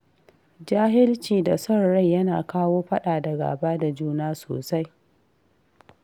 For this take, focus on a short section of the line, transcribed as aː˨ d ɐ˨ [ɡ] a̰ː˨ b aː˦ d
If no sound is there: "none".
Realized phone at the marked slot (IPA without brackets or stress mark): ɡ